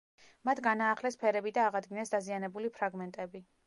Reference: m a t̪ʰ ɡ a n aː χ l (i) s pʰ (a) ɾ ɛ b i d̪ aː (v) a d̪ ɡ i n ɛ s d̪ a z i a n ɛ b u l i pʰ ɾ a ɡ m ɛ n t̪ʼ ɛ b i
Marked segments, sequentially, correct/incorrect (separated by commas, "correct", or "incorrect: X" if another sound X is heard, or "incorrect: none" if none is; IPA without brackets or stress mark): incorrect: ɛ, incorrect: ɛ, incorrect: ʁ